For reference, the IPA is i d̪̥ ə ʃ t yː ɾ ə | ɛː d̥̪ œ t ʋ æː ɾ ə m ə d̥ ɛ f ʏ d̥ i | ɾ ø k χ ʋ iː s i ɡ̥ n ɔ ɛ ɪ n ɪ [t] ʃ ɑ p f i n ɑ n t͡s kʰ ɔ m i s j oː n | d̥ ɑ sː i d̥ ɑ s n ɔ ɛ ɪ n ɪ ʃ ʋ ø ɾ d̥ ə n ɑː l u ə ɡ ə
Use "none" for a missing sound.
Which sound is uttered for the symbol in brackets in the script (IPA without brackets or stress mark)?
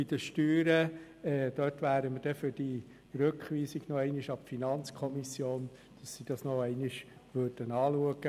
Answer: none